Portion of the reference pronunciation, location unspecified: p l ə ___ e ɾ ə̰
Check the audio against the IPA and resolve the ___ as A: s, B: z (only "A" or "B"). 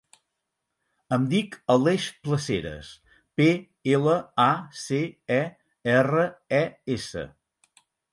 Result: A